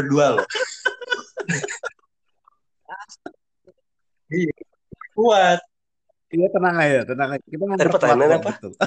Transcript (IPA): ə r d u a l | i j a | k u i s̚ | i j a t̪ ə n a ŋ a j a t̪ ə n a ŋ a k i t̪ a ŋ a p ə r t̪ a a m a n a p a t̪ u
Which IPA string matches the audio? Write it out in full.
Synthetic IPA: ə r d u a l | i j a | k u a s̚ | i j a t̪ ə n a ŋ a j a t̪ ə n a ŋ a k i t̪ a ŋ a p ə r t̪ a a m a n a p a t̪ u